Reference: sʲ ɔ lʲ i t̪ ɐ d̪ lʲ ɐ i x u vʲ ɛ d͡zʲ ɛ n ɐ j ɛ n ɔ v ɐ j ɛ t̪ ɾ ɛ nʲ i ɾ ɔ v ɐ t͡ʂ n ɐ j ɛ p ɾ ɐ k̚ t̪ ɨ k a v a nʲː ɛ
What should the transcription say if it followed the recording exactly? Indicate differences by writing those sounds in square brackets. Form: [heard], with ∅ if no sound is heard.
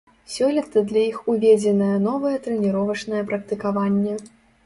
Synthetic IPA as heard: sʲ ɔ lʲ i t̪ ɐ d̪ lʲ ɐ i x u vʲ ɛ d͡zʲ ɛ n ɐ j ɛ n ɔ v ɐ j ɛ t̪ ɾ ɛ nʲ i ɾ ɔ v ɐ t͡ʂ n ɐ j ɛ p ɾ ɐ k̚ t̪ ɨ k a v a nʲː ɛ